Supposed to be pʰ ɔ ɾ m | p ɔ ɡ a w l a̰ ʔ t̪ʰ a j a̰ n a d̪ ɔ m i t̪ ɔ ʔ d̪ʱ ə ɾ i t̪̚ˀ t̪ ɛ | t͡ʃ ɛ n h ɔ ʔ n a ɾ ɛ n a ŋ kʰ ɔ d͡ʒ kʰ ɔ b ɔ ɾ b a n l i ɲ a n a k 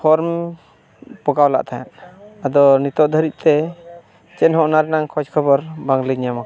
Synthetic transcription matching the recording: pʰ ɔ ɾ m | p ɔ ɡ a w l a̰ ʔ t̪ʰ a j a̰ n a d̪ ɔ n i t̪ ɔ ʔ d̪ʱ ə ɾ i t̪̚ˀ t̪ ɛ | t͡ʃ ɛ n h ɔ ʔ n a ɾ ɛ n a ŋ kʰ ɔ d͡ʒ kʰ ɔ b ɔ ɾ b a ŋ l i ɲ a m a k

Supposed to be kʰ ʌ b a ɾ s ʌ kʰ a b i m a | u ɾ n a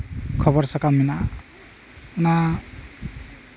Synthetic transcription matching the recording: kʰ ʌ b ʌ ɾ s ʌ k a m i n a | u n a

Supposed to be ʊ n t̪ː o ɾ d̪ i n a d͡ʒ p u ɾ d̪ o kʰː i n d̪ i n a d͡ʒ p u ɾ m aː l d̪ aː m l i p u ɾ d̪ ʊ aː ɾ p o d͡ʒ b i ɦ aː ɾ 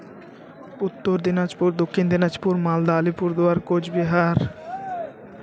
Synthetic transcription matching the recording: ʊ t̪ː o ɾ d̪ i n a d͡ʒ p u ɾ d̪ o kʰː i n d̪ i n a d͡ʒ p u ɾ m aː l d̪ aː l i p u ɾ d̪ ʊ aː ɾ k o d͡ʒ b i ɦ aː ɾ

